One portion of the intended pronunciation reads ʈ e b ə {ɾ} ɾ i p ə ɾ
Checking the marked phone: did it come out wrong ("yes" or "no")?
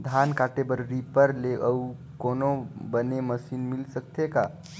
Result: no